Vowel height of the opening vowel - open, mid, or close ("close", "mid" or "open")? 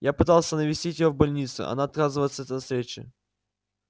open